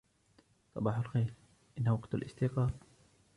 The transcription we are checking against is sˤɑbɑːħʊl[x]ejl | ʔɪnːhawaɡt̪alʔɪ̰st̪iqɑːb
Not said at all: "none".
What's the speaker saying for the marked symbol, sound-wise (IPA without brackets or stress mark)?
x